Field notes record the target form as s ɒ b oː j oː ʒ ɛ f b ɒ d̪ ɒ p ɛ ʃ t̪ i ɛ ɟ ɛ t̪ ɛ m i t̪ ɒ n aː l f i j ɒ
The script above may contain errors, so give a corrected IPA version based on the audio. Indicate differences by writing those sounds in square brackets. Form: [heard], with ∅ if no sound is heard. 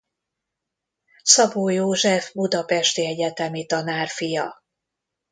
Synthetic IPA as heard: s ɒ b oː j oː ʒ ɛ f b [u] d̪ ɒ p ɛ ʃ t̪ i ɛ ɟ ɛ t̪ ɛ m i t̪ ɒ n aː [r] f i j ɒ